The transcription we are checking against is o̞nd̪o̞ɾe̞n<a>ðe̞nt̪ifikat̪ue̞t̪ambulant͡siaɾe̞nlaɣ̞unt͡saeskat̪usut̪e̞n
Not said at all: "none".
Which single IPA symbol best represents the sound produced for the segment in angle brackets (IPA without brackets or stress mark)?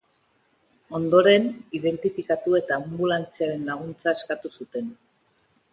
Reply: i